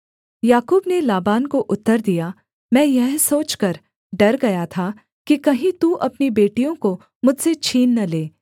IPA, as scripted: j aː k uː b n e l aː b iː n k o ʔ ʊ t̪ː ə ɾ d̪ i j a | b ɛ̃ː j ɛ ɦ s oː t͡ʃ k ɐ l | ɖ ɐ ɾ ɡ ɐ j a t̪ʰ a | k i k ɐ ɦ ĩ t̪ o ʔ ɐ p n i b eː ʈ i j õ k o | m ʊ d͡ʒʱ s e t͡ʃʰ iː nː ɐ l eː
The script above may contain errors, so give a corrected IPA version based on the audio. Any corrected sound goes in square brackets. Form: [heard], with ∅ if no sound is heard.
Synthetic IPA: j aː k uː b n e l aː b [aː] n k o ʔ ʊ t̪ː ə ɾ d̪ i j a | [m] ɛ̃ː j ɛ ɦ s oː t͡ʃ k ɐ [ɾ] | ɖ ɐ ɾ ɡ ɐ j a t̪ʰ a | k i k ɐ ɦ ĩ t̪ [u] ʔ ɐ p n i b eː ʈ i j õ k o | m ʊ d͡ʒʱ s e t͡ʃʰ iː nː ɐ l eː